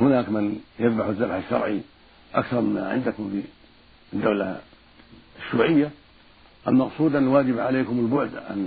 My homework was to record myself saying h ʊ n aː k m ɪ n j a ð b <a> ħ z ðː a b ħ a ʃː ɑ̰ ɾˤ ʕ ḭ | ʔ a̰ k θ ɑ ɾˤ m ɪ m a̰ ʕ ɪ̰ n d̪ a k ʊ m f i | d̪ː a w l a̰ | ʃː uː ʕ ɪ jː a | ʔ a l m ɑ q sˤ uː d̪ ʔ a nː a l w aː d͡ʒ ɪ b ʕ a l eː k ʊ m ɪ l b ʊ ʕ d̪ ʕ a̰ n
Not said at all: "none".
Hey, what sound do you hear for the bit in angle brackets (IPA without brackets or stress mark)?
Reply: a